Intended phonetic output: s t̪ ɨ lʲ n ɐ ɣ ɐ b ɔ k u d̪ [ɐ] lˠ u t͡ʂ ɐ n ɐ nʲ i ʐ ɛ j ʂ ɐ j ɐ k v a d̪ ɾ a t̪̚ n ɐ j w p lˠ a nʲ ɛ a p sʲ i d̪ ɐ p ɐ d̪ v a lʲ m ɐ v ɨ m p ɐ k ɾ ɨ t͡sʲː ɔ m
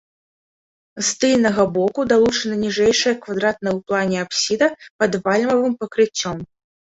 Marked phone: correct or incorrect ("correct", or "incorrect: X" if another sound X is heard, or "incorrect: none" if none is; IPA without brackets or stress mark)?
incorrect: a